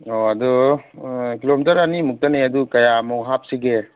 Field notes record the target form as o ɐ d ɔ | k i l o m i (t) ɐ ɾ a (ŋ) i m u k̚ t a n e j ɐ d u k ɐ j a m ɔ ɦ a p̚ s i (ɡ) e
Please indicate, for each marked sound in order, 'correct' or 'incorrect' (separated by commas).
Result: correct, incorrect, correct